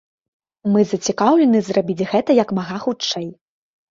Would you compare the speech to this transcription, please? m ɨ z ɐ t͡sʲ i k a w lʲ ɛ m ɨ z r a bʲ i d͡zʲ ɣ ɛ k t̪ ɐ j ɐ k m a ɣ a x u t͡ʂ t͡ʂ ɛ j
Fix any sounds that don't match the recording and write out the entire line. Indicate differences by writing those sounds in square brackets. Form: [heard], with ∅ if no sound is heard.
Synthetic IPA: m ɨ z ɐ t͡sʲ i k a w lʲ ɛ [n] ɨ z r a bʲ i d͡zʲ ɣ ɛ [∅] t̪ ɐ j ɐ k m a ɣ a x u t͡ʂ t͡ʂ ɛ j